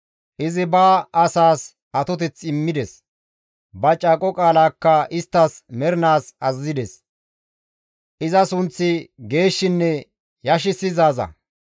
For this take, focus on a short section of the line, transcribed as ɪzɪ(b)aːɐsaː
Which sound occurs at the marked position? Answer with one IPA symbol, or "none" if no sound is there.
b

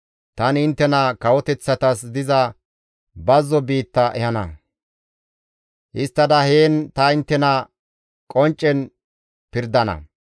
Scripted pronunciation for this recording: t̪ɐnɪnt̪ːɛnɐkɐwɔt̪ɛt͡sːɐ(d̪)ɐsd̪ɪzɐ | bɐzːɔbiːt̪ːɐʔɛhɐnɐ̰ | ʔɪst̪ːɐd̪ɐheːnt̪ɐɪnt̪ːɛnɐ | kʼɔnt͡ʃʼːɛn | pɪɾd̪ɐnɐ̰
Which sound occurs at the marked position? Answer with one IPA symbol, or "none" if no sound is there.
t̪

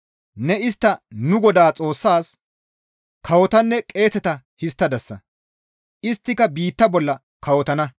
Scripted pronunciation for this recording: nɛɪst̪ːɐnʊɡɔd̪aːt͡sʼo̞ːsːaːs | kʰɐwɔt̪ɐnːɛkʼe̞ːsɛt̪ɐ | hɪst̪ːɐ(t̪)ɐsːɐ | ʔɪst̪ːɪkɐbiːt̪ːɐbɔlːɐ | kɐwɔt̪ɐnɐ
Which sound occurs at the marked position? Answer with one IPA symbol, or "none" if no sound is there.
d̪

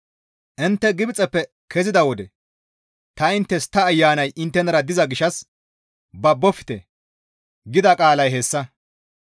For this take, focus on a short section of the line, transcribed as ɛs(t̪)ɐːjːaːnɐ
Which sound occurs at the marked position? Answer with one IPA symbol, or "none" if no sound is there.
t̪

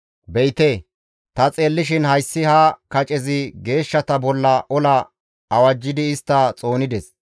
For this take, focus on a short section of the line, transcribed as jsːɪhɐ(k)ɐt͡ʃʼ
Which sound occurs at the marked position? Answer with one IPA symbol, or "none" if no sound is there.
k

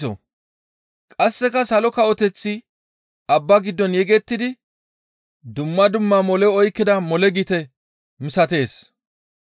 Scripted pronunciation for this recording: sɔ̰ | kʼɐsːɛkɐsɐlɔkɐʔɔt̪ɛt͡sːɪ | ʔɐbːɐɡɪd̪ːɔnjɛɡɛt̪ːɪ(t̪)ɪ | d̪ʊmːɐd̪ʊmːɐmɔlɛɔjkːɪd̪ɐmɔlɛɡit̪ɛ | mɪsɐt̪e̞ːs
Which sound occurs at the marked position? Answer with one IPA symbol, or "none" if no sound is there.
d̪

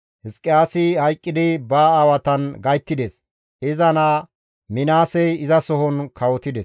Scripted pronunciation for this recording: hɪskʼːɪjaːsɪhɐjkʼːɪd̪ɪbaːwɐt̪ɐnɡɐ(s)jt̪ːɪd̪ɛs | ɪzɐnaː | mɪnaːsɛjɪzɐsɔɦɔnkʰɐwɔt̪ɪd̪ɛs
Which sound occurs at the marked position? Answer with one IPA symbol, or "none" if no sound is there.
none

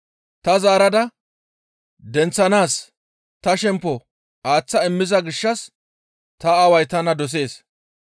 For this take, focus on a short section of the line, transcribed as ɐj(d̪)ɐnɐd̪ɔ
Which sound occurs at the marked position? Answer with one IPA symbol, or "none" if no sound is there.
t̪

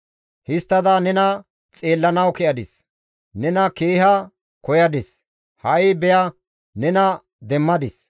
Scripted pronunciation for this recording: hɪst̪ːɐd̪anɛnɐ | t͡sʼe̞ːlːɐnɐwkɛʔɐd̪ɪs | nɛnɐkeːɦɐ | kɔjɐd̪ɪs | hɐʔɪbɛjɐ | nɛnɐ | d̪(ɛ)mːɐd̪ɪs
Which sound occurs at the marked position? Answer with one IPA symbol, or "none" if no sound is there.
ɛ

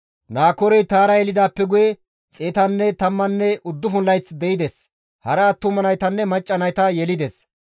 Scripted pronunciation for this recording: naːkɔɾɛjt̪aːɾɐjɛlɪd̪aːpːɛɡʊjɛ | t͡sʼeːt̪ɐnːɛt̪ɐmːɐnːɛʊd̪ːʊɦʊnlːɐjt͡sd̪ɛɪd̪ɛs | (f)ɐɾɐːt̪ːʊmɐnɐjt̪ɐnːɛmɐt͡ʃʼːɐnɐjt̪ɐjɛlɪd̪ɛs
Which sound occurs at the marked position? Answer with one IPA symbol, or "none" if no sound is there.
h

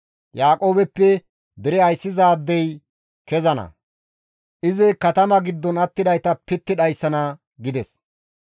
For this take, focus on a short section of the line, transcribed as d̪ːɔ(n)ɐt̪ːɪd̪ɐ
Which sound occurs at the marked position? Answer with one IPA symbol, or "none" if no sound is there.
n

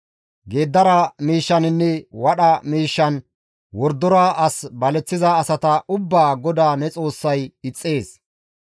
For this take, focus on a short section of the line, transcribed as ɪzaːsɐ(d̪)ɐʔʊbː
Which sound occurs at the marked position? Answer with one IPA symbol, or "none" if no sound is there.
t̪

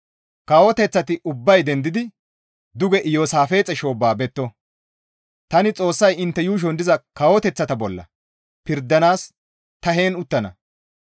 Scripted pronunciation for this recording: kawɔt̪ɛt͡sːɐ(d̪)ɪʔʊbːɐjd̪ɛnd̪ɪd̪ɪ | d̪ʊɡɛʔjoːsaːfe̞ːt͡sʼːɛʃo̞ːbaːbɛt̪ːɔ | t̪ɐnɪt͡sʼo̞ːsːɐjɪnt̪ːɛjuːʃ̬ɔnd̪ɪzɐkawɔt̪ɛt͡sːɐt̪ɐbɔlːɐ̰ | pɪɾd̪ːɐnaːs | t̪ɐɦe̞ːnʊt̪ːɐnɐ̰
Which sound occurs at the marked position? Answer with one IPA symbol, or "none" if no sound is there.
t̪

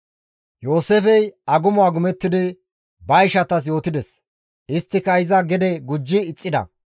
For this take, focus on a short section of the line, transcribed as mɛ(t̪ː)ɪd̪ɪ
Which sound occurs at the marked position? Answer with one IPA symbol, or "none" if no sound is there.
t̪ː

